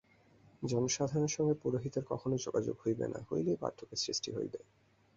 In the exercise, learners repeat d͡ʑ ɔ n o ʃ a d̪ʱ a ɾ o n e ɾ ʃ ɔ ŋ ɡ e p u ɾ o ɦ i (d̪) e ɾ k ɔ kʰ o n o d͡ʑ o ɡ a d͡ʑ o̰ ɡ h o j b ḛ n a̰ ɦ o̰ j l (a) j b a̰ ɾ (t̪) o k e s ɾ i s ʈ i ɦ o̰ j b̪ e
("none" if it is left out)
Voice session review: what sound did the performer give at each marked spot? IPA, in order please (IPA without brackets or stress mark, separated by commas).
t̪, e, t̪ʰ